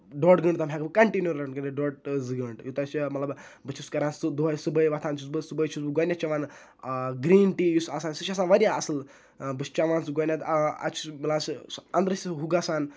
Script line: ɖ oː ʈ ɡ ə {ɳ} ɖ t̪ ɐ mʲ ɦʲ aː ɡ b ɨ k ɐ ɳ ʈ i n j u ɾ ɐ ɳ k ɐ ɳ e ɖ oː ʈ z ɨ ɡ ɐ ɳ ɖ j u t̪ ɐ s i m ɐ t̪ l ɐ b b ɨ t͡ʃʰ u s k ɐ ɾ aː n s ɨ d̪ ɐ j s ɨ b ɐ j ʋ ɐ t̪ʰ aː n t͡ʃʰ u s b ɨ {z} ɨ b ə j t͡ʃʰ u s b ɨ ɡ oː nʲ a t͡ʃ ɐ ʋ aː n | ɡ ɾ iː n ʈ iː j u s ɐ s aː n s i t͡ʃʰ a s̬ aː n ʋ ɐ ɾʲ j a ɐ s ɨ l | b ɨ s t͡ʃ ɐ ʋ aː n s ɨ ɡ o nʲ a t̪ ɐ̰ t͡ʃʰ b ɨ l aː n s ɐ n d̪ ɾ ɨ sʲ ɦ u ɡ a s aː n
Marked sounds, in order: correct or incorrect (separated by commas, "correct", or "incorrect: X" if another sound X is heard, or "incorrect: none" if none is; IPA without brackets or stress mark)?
correct, incorrect: s